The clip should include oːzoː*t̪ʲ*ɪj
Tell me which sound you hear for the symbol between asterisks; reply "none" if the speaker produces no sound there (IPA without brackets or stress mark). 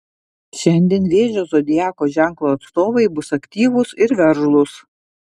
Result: d̪ʲ